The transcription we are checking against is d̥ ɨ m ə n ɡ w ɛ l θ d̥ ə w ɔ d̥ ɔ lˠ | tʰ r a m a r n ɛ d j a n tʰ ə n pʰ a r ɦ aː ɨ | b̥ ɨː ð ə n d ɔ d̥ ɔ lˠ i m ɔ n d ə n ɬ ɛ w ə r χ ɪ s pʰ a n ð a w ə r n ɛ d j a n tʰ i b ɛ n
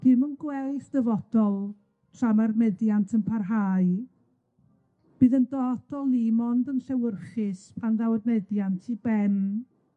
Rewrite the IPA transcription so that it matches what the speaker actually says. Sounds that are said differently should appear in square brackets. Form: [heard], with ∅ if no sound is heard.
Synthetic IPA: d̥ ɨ m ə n ɡ w ɛ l θ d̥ ə [v] ɔ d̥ ɔ lˠ | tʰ r a m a r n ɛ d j a n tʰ ə n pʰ a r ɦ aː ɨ | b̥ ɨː ð ə n d ɔ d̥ ɔ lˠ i m ɔ n d ə n ɬ ɛ w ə r χ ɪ s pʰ a n ð a w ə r n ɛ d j a n tʰ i b ɛ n